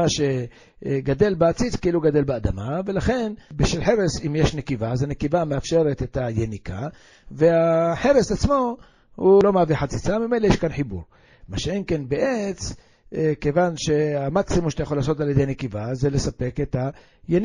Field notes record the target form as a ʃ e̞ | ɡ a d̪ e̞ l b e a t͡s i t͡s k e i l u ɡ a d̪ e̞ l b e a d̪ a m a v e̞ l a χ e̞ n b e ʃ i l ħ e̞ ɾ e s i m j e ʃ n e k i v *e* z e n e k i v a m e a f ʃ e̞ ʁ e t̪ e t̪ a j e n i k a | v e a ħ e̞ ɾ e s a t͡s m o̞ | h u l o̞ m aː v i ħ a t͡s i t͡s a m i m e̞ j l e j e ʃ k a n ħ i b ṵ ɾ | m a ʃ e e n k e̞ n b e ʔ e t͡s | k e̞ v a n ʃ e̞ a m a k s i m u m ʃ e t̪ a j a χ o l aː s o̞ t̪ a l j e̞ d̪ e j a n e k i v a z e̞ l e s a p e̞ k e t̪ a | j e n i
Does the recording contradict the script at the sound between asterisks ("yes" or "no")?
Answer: yes